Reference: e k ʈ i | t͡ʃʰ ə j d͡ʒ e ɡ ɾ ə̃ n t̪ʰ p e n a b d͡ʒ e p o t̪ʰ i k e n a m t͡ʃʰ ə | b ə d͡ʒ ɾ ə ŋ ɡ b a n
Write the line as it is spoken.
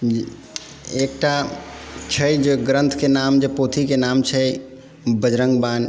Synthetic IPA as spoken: e k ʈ a | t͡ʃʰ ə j d͡ʒ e ɡ ɾ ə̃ n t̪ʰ k e n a m d͡ʒ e p o t̪ʰ i k e n a m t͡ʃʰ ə | b ə d͡ʒ ɾ ə ŋ ɡ b a n